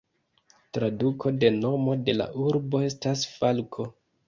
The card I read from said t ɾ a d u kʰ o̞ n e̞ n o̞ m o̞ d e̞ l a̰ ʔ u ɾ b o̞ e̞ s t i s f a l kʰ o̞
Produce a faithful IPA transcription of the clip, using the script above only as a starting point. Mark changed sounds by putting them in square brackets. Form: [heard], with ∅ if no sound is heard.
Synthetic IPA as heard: t ɾ a d u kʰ o̞ [d] e̞ n o̞ m o̞ d e̞ l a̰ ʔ u ɾ b o̞ e̞ s t [a] s f a l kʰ o̞

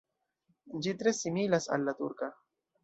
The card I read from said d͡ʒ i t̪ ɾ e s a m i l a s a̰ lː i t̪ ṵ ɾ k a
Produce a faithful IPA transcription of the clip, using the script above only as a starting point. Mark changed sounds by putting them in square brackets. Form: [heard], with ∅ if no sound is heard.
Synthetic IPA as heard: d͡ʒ i t̪ ɾ e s [i] m i l a s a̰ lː [a] t̪ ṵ ɾ k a

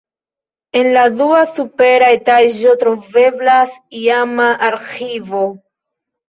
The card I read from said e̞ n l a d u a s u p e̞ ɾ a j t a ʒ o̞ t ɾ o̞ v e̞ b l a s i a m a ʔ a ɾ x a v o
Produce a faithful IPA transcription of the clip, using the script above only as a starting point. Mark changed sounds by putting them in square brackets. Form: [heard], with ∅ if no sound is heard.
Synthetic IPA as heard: e̞ n l a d u a s u p e̞ ɾ a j t a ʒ o̞ t ɾ o̞ v e̞ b l a s i a m a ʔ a ɾ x [i] v o

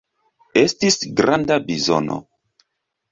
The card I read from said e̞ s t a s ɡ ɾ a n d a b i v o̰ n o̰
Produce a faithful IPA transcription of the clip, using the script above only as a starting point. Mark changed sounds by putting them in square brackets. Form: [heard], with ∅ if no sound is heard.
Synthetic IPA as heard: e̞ s t [i] s ɡ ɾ a n d a b i [z] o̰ n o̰

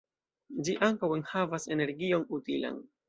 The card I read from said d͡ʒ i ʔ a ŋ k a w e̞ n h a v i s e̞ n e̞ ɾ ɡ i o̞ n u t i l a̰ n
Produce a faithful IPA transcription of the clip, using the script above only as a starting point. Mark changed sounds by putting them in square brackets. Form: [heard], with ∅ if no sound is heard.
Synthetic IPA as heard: d͡ʒ i ʔ a ŋ k a w e̞ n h a v [a] s e̞ n e̞ ɾ ɡ i o̞ n u t i l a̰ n

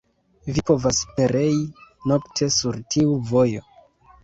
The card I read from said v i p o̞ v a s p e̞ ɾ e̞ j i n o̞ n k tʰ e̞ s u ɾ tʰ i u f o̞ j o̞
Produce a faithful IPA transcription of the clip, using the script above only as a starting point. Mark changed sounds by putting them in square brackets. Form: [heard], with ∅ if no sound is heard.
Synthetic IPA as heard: v i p o̞ v a s p e̞ ɾ e̞ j i n o̞ [∅] k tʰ e̞ s u ɾ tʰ i u [v] o̞ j o̞

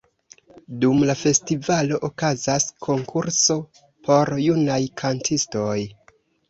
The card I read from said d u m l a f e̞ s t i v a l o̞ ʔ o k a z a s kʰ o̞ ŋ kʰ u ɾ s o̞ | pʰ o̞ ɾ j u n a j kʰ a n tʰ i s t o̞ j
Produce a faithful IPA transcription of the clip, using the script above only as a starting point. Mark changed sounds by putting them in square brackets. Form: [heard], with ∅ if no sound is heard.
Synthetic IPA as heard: d u m l a f e̞ s t i v a l o̞ ʔ o k a z a s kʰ o̞ ŋ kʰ u ɾ s o̞ | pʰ o̞ ɾ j u n a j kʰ a n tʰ i s t o̞ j

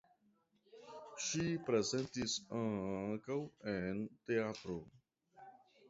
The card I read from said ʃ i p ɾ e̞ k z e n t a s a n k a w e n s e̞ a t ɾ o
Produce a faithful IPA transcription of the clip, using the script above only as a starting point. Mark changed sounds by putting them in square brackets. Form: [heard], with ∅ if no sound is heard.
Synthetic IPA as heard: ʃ i p ɾ e̞ [∅] z e n t [i] s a [ŋ] k a w e n [t] e̞ a t ɾ o

